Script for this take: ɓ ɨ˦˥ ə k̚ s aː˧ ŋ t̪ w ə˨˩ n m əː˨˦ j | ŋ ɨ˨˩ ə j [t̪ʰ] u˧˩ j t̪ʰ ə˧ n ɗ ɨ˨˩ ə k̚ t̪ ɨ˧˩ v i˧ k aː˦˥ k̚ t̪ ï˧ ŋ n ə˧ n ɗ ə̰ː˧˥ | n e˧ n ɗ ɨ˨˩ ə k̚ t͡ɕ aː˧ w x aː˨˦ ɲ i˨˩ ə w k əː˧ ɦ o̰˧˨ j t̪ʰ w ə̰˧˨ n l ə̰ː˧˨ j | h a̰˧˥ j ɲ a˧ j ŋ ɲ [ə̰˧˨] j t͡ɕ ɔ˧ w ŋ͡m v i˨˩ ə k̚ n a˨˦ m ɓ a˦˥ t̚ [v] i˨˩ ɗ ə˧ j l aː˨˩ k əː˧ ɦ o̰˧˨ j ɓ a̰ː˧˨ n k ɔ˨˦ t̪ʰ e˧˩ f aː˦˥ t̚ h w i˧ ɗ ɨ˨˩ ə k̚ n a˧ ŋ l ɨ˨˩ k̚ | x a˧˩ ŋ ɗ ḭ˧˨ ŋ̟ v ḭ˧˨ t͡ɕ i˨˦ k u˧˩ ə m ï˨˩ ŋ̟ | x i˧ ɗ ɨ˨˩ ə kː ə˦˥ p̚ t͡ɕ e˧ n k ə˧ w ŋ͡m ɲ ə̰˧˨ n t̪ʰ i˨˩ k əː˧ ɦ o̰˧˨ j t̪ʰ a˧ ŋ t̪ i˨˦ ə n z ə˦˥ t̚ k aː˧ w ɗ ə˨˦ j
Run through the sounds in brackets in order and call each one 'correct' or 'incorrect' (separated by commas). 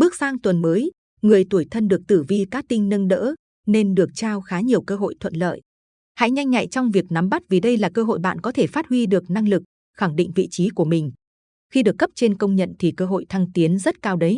incorrect, incorrect, correct